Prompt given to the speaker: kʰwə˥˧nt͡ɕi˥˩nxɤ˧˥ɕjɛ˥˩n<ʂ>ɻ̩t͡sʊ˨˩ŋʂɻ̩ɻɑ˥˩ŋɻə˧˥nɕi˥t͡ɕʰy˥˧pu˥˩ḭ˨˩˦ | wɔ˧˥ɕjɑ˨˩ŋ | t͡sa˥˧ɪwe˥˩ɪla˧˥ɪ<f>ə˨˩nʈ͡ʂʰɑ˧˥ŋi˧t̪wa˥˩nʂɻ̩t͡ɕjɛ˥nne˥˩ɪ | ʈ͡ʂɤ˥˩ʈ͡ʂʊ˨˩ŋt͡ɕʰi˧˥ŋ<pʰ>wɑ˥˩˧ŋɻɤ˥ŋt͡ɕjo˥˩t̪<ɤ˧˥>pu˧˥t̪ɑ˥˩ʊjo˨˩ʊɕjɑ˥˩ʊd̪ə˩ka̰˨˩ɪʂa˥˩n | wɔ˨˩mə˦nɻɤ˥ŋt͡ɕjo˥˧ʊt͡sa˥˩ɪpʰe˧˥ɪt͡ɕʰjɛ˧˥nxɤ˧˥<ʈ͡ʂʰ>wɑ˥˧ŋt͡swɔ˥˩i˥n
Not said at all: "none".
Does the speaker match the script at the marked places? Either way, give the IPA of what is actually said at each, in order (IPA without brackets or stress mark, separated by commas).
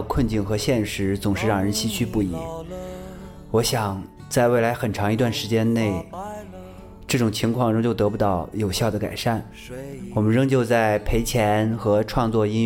ʂ, x, kʰ, ɤ˧˥, ʈ͡ʂʰ